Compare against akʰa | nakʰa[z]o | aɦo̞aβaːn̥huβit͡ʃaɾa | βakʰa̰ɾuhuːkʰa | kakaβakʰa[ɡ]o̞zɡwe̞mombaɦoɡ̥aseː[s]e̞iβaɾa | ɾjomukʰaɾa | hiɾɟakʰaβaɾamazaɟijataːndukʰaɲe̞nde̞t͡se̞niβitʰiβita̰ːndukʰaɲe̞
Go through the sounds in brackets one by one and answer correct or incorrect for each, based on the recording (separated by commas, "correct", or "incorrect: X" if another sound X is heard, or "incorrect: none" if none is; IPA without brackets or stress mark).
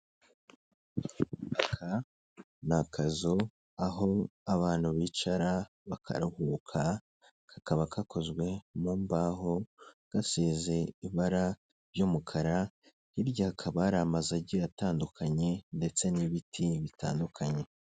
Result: correct, incorrect: k, incorrect: z